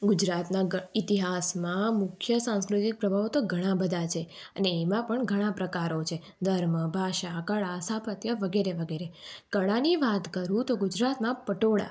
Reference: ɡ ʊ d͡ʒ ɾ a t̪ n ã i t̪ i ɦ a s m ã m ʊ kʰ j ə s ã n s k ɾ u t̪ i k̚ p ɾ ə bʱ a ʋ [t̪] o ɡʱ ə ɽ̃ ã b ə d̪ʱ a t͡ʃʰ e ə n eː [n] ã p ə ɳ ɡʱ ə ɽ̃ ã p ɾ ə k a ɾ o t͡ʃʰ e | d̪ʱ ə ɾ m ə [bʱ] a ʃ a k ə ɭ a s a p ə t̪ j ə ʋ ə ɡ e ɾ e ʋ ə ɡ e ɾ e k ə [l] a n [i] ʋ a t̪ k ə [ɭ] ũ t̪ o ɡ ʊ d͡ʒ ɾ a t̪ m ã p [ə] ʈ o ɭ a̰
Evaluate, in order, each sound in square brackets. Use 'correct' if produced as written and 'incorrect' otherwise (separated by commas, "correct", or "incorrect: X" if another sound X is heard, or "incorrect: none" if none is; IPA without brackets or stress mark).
correct, incorrect: m, correct, incorrect: ɭ, correct, incorrect: ɾ, correct